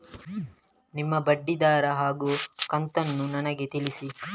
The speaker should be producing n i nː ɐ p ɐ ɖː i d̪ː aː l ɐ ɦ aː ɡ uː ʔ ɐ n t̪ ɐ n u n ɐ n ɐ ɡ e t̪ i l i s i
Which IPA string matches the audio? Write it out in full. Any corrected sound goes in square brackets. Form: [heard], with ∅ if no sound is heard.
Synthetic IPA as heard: n i [mː] ɐ [b] ɐ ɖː i [d̪] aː [ɾ] ɐ ɦ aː ɡ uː [k] ɐ n t̪ ɐ [nː] u n ɐ n ɐ ɡ e t̪ i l i s i